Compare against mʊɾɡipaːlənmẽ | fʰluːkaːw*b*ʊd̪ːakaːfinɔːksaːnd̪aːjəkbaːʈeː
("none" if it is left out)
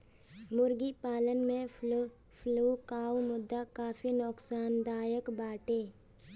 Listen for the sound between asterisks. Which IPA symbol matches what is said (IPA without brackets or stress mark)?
m